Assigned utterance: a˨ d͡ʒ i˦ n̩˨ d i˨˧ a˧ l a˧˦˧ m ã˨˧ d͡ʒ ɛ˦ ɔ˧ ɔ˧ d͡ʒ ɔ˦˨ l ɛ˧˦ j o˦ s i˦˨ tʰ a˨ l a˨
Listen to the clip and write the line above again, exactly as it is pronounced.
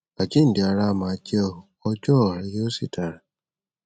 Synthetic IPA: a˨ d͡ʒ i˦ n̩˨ d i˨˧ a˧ ɾ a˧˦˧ m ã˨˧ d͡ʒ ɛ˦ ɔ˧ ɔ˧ d͡ʒ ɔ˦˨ ɾ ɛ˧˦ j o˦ s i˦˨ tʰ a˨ ɾ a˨

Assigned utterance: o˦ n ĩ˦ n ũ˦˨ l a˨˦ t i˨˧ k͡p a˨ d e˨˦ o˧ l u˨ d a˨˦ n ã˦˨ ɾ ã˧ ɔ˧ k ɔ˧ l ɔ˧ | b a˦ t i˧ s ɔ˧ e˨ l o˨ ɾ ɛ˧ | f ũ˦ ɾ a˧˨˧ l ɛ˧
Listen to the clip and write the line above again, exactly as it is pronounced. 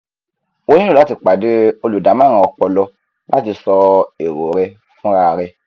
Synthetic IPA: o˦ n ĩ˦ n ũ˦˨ l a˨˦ t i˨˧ k͡p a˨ d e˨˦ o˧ l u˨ d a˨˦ m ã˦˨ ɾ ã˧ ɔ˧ k͡p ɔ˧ l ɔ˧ | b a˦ t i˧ s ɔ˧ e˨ ɾ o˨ ɾ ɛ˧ | f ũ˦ ɾ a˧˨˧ ɾ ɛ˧

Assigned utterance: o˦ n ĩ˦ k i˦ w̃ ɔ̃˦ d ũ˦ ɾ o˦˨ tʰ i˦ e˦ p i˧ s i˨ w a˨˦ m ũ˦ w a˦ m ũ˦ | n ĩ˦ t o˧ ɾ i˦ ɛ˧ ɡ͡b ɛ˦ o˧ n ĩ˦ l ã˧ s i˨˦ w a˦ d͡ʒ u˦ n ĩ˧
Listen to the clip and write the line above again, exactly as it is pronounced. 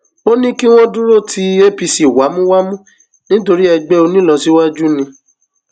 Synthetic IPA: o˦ n ĩ˦ k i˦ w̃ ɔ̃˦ d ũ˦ ɾ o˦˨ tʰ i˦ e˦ p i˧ s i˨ w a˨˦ m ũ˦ w a˦ m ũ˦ | n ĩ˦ t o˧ ɾ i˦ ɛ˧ ɡ͡b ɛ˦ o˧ n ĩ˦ l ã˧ s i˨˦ w a˦ d͡ʒ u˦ n ĩ˧

